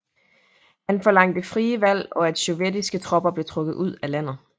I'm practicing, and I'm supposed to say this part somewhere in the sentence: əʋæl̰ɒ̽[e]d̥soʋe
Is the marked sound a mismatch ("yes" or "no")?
yes